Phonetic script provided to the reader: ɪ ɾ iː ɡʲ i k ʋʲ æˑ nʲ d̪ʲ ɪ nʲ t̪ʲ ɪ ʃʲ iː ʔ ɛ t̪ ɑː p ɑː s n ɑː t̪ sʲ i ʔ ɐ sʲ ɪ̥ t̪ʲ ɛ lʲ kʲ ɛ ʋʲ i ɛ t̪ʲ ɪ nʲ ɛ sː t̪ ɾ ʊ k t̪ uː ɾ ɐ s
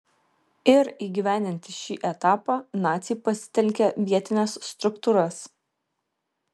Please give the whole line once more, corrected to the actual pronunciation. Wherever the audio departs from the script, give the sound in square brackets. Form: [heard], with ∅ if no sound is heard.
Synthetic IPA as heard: ɪ ɾ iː ɡʲ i [∅] ʋʲ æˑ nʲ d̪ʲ ɪ nʲ t̪ʲ ɪ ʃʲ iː ʔ ɛ t̪ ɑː p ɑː [∅] n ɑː t̪ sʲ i [p] ɐ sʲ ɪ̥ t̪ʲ ɛ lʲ kʲ ɛ ʋʲ i ɛ t̪ʲ ɪ nʲ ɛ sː t̪ ɾ ʊ k t̪ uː ɾ ɐ s